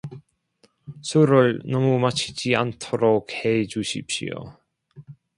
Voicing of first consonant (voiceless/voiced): voiceless